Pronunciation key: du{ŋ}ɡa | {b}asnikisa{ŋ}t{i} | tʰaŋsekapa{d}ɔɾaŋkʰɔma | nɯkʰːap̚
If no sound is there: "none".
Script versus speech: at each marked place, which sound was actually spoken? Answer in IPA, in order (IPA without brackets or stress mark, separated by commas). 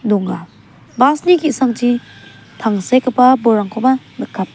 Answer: ŋ, b, ŋ, i, b